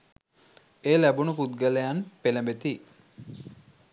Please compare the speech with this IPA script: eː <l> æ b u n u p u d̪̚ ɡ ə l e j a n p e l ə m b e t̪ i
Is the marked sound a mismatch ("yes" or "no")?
no